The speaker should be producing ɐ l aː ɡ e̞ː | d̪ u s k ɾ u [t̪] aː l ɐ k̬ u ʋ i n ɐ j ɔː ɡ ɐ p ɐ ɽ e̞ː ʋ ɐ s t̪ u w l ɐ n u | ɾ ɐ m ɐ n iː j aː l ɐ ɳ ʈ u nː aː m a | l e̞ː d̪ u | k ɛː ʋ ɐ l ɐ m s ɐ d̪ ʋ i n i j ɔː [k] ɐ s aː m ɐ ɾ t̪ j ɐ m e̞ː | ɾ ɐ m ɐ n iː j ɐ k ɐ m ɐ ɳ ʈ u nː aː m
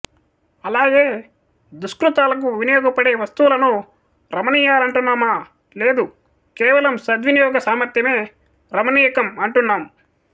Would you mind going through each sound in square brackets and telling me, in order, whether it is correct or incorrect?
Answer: correct, incorrect: ɡ

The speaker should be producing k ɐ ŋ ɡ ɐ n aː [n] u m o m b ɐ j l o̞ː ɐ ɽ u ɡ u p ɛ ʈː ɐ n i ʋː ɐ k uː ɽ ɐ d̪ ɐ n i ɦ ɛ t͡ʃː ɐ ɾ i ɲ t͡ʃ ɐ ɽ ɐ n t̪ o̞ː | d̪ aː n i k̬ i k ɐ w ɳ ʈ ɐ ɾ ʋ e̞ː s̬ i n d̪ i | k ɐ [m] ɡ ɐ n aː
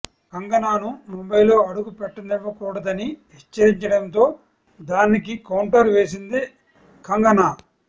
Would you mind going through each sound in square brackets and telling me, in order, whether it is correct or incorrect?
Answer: correct, incorrect: ŋ

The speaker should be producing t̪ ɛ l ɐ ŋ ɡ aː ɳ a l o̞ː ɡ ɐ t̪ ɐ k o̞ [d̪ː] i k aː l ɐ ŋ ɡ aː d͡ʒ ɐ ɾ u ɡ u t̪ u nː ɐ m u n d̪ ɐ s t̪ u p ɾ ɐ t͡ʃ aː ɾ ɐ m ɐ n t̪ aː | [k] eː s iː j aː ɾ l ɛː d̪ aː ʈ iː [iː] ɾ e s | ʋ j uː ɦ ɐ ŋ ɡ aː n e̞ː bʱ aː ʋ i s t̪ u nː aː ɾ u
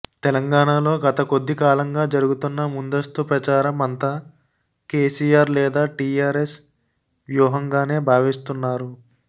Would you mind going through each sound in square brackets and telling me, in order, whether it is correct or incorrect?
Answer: correct, correct, incorrect: aː

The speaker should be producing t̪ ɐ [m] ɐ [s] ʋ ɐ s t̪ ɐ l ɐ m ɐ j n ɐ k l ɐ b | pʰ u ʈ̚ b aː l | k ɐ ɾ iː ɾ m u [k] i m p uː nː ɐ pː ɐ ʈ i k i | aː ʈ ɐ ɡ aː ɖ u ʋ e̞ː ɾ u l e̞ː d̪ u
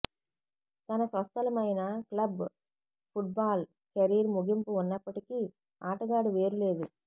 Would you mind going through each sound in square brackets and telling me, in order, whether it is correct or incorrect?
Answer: incorrect: n, correct, incorrect: ɡ

